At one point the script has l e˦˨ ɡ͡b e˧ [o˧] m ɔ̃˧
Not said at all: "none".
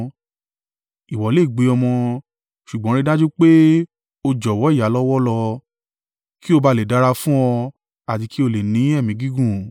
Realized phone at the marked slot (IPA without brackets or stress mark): ɔ˧